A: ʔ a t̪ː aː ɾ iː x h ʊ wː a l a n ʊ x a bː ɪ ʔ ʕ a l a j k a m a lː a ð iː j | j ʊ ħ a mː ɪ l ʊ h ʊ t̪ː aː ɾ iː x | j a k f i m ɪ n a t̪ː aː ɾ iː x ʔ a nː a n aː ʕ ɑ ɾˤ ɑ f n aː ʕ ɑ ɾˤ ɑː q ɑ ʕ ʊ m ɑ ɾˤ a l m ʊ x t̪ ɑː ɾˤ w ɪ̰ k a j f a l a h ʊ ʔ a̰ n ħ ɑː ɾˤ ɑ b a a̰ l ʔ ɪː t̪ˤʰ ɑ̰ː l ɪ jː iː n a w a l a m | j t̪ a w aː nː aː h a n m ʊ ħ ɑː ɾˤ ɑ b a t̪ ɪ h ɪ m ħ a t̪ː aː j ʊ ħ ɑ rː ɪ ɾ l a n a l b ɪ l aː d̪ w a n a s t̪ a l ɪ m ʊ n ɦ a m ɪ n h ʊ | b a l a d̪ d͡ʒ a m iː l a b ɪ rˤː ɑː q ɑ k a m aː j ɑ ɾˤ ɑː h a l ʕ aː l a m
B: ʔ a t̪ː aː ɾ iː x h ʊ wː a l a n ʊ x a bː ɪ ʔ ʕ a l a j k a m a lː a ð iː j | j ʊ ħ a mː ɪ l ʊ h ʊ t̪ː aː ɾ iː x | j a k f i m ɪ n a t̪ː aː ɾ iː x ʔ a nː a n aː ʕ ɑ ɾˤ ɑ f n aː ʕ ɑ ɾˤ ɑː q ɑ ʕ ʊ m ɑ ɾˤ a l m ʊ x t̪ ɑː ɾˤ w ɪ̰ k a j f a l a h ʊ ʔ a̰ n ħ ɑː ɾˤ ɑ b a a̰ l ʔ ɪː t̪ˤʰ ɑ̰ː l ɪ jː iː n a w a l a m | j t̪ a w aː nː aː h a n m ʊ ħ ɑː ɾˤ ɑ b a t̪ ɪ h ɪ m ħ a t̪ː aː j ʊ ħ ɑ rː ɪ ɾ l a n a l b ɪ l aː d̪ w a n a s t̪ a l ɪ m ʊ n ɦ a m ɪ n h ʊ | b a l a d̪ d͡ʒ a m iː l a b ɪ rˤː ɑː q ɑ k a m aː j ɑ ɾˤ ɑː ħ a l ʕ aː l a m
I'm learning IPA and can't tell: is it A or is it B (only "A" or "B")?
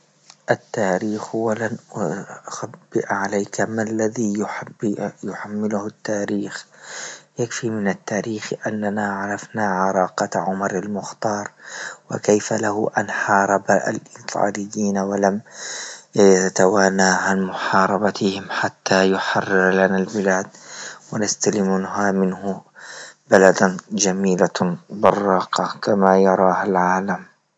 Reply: A